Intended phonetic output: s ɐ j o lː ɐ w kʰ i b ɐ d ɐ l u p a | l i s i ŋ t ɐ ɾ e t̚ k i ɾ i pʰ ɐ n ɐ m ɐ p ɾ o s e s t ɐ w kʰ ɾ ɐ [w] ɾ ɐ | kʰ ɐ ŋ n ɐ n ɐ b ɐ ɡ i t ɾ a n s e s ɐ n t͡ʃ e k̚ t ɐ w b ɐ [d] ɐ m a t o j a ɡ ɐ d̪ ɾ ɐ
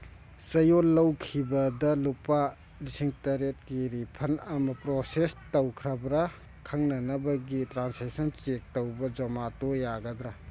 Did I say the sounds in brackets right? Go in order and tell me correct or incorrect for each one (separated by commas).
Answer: incorrect, incorrect